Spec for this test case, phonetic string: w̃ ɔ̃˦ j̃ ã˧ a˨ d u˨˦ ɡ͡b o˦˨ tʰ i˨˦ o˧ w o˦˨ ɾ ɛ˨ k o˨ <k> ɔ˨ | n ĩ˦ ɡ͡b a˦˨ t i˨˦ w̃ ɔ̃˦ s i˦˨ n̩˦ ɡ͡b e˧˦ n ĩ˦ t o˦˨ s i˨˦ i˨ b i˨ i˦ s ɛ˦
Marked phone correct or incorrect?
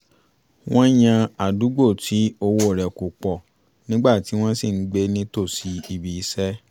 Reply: incorrect